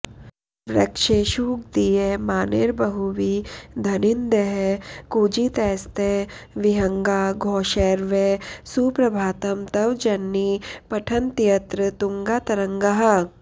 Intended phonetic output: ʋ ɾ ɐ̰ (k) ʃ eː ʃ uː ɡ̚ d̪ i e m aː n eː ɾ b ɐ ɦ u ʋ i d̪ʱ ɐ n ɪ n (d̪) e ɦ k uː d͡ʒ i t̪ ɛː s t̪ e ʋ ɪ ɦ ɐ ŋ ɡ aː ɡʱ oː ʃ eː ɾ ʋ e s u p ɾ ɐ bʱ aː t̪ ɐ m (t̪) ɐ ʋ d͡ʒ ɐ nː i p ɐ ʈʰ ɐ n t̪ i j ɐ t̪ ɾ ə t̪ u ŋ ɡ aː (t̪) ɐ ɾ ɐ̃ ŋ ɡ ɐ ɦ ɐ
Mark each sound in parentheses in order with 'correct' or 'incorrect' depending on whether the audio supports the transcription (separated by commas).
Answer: correct, correct, correct, correct